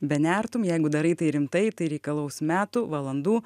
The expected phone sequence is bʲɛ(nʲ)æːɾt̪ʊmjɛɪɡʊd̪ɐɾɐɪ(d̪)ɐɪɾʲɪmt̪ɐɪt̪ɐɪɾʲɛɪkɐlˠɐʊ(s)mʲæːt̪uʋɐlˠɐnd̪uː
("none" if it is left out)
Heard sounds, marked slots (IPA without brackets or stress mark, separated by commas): nʲ, t̪, s